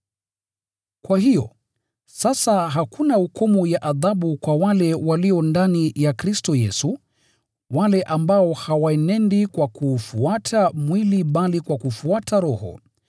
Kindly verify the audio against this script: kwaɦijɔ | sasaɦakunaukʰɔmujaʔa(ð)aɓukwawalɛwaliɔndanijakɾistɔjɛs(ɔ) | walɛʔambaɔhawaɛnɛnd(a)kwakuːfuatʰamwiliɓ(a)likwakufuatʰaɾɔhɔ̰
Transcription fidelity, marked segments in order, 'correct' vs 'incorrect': correct, incorrect: u, incorrect: i, correct

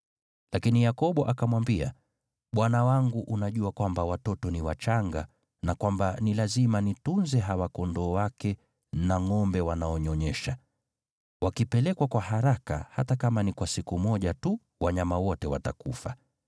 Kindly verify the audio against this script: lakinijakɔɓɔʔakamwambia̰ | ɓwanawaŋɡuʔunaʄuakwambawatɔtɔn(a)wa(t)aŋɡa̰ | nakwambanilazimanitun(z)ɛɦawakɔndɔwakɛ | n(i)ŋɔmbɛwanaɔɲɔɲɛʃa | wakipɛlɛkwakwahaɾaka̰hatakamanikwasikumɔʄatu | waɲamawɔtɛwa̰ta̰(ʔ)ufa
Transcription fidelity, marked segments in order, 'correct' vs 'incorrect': incorrect: i, incorrect: t͡ʃ, correct, incorrect: a, incorrect: k

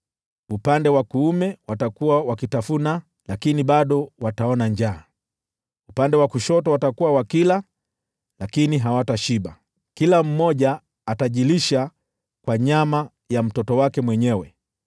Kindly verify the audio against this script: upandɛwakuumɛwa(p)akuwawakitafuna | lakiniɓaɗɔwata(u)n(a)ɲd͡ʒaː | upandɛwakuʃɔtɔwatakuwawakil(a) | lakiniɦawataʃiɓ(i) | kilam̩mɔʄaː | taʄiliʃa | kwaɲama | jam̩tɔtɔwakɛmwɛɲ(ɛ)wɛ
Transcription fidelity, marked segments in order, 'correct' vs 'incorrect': incorrect: t, incorrect: ɔ, correct, correct, incorrect: a, correct

